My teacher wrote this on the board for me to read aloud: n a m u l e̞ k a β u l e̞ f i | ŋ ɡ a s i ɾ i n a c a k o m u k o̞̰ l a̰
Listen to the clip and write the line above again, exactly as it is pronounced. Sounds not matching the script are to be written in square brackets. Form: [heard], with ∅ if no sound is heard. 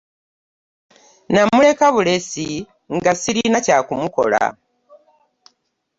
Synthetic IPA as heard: n a m u l e̞ k a β u l e̞ [s] i | ŋ ɡ a s i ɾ i n a c a k [u] m u k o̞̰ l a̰